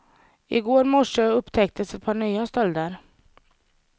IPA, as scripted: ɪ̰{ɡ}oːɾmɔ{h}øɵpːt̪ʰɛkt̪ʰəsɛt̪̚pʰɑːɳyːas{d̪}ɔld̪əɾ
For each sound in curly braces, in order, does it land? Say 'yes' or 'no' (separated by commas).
yes, no, no